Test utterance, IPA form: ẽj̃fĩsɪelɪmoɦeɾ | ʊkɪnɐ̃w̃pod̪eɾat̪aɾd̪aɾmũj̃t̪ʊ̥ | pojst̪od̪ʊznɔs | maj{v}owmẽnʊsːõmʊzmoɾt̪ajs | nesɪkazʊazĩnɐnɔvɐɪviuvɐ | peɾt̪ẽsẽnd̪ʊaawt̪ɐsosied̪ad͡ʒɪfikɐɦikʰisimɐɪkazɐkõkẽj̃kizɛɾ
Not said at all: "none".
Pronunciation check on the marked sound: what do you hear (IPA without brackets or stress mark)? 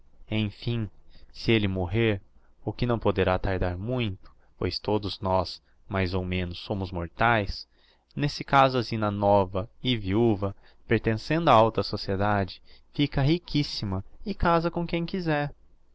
z